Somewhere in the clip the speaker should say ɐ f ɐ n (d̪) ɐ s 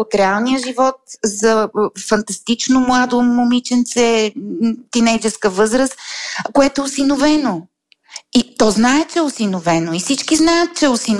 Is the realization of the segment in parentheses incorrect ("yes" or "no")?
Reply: yes